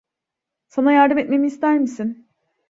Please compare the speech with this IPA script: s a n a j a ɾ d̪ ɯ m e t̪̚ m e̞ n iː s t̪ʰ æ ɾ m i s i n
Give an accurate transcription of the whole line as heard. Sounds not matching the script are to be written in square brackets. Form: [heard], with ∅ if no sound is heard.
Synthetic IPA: s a n a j a ɾ d̪ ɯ m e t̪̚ m e̞ [m] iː s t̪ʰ æ ɾ m i s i n